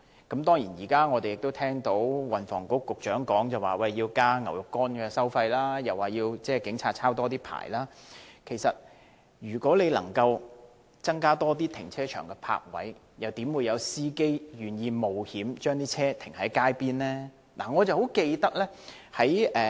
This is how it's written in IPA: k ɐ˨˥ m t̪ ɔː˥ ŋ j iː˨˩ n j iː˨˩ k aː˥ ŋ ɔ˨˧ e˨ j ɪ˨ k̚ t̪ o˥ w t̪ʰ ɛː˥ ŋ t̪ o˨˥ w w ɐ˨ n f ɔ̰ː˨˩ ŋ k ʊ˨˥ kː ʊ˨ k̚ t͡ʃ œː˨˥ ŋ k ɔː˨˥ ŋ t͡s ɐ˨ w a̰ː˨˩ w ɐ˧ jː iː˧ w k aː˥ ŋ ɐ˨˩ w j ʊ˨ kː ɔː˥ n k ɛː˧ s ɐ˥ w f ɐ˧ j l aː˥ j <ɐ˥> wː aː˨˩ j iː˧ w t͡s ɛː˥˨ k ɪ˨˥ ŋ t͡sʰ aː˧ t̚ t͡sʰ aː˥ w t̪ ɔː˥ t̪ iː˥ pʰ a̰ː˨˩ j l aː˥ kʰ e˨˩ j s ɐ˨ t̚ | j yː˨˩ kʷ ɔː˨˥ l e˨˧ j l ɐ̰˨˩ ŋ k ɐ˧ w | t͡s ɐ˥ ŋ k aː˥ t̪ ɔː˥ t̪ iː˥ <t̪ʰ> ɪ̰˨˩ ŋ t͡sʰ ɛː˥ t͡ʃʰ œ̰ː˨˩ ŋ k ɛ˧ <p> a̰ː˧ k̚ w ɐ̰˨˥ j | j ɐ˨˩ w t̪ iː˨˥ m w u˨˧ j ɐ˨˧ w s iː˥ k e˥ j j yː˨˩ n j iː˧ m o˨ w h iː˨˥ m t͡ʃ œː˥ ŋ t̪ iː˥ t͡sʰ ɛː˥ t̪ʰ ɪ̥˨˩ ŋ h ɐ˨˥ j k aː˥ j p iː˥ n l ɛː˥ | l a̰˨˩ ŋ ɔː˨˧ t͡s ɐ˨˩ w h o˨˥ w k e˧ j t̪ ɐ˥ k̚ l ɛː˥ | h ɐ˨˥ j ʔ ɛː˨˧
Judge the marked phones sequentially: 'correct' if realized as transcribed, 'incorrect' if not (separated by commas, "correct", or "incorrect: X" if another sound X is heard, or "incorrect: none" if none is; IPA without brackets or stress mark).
incorrect: ɐ˨, correct, incorrect: pʰ